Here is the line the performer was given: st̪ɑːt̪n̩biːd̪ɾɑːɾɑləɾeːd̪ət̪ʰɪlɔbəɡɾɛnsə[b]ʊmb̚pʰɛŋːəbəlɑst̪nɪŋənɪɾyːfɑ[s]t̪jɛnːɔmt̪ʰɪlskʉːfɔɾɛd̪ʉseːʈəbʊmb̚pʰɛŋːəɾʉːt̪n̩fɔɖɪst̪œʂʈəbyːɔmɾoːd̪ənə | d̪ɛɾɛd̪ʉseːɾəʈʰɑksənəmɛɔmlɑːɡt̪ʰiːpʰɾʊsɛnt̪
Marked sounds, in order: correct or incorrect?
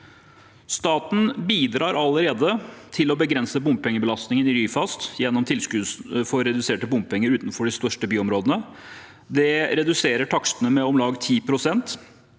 correct, correct

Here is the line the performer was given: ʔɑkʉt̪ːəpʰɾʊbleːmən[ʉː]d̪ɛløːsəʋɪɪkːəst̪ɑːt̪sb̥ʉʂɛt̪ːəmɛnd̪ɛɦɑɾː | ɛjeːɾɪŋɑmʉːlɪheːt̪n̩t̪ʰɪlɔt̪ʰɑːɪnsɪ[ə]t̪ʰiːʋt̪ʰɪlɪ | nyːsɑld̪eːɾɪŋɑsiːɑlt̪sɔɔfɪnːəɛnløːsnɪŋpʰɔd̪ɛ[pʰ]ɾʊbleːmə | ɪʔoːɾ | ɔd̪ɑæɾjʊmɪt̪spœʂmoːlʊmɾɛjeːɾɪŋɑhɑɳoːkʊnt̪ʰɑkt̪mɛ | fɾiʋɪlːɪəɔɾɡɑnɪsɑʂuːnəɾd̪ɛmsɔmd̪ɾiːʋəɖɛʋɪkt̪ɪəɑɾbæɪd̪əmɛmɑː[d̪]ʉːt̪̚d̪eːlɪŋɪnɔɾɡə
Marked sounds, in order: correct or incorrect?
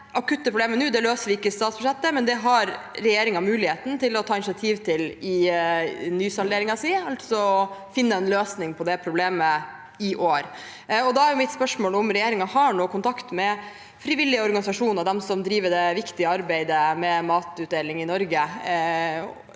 correct, incorrect: ɑ, correct, incorrect: t̪

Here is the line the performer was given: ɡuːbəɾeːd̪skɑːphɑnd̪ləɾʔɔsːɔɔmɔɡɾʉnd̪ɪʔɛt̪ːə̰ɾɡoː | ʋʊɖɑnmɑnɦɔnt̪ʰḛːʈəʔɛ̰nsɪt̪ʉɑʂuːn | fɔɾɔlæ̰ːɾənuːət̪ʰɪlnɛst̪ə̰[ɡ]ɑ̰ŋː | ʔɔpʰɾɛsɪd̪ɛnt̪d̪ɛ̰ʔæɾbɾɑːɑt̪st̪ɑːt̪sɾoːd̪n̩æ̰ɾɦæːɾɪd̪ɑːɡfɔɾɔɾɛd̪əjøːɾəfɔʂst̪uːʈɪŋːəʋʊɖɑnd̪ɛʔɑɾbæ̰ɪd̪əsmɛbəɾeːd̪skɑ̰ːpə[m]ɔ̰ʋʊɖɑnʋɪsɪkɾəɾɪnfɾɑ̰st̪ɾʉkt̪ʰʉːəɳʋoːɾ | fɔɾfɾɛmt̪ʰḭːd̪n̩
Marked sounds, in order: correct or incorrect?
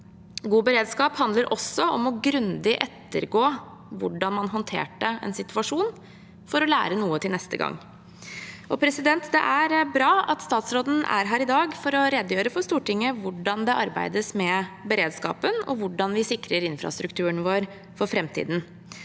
correct, incorrect: n

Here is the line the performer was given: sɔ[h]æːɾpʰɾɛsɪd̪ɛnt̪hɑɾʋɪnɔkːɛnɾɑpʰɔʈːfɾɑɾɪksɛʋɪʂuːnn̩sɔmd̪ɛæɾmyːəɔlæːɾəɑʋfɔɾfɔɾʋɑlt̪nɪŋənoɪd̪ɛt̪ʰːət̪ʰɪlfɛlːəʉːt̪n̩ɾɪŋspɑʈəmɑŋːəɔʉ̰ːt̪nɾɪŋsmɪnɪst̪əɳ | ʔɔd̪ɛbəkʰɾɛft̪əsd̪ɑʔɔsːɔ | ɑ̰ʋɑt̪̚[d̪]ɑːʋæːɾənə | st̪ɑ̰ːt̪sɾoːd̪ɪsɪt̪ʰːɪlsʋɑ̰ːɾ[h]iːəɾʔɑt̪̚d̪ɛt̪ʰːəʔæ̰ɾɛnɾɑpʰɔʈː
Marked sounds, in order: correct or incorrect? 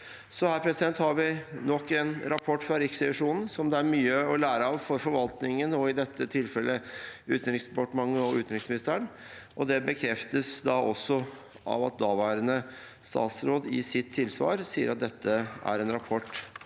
correct, correct, incorrect: s

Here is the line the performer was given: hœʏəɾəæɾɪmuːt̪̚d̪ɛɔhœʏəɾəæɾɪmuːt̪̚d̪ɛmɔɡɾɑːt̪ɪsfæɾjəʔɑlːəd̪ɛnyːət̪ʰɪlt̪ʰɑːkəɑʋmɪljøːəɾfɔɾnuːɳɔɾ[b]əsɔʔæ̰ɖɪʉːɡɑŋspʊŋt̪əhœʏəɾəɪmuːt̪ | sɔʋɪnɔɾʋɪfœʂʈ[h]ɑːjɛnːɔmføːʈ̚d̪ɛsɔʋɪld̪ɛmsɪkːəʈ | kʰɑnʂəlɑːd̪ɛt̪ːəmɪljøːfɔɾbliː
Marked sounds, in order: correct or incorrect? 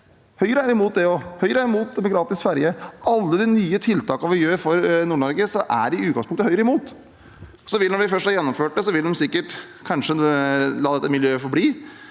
incorrect: ɡ, correct

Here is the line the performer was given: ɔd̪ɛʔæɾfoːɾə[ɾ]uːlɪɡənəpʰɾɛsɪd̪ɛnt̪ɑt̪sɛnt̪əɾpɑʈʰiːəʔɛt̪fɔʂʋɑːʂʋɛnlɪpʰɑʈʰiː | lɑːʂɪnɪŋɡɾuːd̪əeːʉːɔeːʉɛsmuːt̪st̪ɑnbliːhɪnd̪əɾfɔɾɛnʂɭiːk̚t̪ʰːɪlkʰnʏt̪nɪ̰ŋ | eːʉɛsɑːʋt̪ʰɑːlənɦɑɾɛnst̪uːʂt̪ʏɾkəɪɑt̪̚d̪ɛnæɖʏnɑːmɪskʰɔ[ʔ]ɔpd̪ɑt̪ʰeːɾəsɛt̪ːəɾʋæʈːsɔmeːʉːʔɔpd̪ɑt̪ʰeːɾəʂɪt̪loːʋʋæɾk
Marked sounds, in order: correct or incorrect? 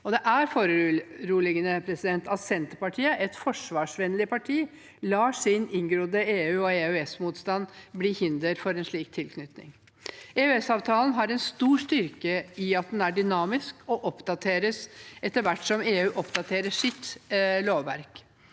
correct, correct

